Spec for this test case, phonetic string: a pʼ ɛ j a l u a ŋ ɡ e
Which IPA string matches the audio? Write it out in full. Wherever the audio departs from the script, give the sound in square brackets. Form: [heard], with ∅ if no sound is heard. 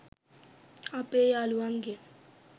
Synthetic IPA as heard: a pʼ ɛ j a l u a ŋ ɡ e